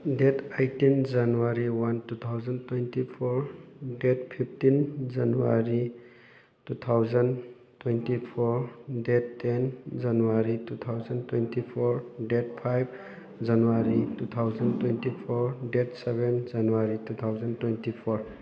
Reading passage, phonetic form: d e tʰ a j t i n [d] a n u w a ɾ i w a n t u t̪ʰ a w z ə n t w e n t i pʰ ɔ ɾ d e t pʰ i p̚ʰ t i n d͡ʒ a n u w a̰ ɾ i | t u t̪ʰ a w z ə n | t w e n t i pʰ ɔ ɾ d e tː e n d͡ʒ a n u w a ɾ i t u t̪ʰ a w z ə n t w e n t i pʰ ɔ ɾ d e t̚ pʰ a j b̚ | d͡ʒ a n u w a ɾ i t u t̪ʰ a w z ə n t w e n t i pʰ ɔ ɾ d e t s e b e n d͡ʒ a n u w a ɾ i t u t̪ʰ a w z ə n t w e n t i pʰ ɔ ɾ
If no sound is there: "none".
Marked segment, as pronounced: d͡ʒ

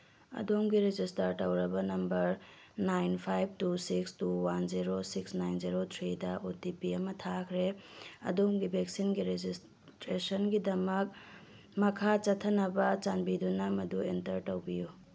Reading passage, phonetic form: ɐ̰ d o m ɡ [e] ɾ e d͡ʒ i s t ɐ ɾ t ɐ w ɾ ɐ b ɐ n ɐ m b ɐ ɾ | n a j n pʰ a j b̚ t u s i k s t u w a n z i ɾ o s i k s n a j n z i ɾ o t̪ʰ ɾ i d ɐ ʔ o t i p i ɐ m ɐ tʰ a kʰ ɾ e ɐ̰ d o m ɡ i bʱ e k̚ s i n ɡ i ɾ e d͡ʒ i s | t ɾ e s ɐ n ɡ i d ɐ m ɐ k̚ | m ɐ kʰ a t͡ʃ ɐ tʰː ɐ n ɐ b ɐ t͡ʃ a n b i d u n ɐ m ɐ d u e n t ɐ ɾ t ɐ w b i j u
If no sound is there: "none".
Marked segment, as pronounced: i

